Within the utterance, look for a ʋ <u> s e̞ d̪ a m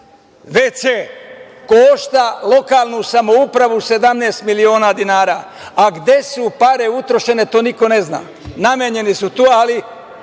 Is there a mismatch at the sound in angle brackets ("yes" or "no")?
no